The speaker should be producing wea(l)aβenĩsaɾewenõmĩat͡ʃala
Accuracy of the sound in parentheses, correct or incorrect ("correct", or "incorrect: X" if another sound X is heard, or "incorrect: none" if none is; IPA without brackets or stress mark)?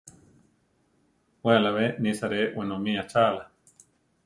correct